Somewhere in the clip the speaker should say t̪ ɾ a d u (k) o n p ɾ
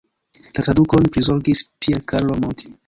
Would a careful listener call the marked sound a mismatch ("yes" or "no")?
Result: no